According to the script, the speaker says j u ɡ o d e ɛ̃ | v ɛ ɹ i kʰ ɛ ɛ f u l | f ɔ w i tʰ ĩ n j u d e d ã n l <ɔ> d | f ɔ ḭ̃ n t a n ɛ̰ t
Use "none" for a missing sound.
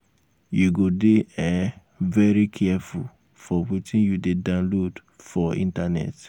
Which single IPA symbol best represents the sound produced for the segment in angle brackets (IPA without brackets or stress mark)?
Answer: o